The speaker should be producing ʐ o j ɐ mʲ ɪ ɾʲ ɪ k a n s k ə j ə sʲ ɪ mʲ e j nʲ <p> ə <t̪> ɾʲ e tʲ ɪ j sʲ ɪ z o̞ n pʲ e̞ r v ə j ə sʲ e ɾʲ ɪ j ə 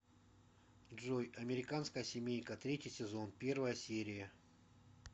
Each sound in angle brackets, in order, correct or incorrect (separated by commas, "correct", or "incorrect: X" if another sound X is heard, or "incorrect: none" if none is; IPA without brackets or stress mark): incorrect: k, correct